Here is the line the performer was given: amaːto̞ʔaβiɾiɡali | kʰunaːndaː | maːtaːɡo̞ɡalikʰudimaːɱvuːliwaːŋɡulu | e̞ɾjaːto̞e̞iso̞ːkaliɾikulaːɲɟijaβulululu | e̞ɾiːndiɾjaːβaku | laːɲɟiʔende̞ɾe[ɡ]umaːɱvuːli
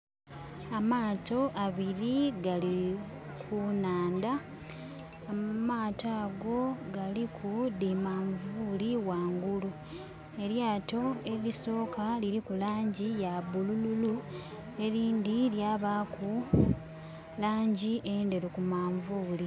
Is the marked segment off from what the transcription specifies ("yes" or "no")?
yes